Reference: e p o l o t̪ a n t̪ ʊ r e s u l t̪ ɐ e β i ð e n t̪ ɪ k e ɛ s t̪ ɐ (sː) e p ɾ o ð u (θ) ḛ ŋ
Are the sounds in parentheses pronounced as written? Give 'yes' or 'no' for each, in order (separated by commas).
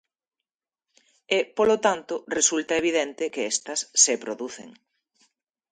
yes, yes